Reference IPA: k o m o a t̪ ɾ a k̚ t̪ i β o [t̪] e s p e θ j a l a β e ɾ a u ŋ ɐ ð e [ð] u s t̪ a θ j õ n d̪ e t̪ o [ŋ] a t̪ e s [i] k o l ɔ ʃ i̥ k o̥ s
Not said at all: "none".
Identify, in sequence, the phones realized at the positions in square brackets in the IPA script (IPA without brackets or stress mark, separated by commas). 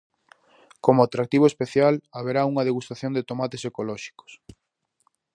none, ɣ, m, e